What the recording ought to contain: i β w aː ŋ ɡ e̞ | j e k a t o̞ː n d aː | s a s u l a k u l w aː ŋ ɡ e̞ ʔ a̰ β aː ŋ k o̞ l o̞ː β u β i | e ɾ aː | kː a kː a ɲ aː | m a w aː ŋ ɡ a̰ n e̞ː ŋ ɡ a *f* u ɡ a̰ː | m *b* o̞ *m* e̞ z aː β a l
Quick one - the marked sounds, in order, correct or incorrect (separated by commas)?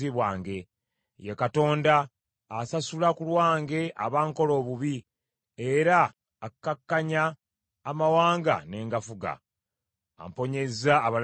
correct, incorrect, incorrect